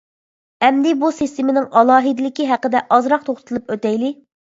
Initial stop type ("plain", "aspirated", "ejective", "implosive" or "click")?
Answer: plain